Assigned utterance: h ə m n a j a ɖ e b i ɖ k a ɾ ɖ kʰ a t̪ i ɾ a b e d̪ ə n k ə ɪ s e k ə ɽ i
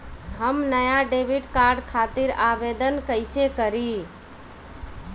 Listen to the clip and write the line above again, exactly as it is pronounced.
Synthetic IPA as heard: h ə m n ə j a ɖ e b i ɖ k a ɾ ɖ kʰ a t̪ i ɾ a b e d̪ ə n k ə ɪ s e k ə ɾ i